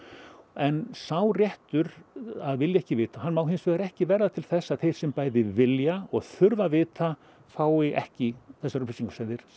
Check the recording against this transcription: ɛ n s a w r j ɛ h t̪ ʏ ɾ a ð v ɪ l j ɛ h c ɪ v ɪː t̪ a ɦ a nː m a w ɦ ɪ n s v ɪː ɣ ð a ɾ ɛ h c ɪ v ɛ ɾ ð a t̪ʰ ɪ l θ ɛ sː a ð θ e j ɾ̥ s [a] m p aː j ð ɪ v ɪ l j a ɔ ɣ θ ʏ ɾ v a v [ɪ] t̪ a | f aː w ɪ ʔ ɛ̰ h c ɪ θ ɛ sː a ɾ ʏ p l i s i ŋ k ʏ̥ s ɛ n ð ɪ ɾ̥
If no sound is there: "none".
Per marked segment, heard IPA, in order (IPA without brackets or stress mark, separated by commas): ɛ, ɪː